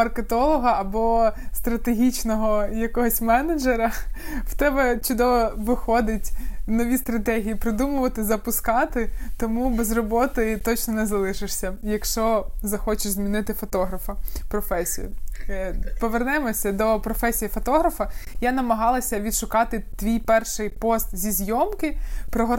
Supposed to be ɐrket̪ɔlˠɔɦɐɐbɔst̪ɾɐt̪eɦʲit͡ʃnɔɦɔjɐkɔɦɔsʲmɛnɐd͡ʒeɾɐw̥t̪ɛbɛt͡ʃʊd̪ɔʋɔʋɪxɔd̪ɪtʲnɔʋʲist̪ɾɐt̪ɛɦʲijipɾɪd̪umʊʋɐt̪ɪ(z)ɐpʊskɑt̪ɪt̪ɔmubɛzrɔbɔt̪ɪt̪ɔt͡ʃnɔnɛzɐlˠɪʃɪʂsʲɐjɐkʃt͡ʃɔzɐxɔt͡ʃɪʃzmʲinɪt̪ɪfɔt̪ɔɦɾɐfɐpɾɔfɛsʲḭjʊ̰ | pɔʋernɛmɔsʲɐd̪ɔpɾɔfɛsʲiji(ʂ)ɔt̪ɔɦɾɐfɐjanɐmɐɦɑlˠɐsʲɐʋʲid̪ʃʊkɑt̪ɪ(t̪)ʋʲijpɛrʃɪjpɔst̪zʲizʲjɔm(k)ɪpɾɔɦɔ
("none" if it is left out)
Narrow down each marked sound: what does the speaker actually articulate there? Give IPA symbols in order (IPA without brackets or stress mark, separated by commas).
z, f, t̪, k